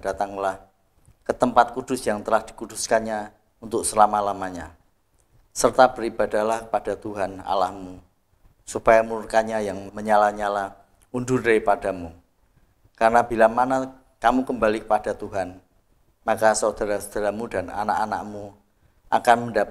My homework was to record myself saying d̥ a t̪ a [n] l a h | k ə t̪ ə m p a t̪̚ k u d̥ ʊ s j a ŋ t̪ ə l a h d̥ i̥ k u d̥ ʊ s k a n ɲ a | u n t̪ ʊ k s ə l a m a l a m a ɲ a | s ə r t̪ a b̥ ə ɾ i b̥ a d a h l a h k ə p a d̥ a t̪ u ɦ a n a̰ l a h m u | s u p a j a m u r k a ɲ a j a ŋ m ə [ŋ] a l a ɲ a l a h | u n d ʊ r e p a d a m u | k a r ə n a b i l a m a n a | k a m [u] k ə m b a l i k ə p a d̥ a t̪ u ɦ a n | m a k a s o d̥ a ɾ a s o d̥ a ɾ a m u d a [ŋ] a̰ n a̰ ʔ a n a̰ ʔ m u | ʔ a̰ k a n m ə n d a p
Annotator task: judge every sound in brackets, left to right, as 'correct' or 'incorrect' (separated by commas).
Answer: incorrect, incorrect, correct, incorrect